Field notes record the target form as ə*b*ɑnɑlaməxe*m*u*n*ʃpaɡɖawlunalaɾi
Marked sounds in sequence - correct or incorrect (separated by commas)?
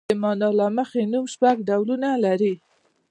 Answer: incorrect, incorrect, incorrect